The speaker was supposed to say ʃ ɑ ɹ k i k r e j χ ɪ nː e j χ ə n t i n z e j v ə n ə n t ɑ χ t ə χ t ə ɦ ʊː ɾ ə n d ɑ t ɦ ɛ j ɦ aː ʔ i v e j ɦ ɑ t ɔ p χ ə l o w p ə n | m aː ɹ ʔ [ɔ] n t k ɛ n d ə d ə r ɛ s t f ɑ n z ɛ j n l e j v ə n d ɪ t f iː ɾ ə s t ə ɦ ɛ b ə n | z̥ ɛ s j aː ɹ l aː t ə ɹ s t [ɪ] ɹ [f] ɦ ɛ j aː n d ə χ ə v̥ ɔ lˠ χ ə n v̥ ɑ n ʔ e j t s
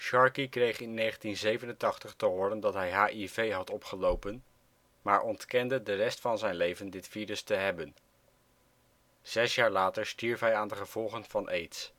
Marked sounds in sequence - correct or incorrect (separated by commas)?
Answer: correct, incorrect, correct